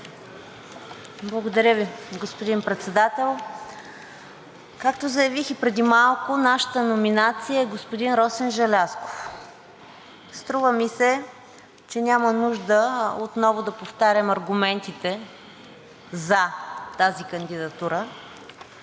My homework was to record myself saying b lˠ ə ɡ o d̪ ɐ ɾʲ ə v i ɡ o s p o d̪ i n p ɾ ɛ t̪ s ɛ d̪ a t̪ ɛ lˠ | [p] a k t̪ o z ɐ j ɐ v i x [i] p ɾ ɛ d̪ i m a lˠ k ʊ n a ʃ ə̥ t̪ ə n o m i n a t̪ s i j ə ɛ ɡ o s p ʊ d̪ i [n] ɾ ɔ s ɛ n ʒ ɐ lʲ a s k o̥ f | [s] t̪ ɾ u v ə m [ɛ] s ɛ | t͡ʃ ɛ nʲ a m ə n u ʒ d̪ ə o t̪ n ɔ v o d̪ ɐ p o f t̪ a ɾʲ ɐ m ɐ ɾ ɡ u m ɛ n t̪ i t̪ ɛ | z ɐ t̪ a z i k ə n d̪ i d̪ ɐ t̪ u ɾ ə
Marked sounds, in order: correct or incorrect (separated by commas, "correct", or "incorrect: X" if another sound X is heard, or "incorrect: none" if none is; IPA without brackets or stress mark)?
incorrect: k, correct, correct, correct, incorrect: i